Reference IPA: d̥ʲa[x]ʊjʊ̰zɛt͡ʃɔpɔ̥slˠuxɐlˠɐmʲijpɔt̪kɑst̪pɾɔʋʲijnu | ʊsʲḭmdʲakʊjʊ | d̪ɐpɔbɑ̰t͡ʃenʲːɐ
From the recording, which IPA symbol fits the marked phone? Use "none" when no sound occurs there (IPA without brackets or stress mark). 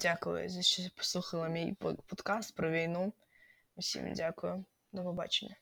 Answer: k